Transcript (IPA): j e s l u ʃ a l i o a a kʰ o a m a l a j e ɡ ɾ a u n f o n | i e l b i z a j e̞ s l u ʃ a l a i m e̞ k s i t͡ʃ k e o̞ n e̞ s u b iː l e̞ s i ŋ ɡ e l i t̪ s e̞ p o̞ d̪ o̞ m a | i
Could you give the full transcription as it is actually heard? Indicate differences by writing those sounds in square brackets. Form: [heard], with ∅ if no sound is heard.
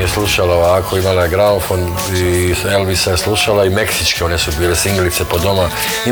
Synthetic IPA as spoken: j e s l u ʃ a l [a] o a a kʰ o [i] m a l a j e ɡ ɾ a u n f o n | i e l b i [s] a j e̞ s l u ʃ a l a i m e̞ k s i t͡ʃ k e o̞ n e̞ s u b iː l e̞ s i ŋ ɡ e l i t̪ s e̞ p o̞ d̪ o̞ m a | i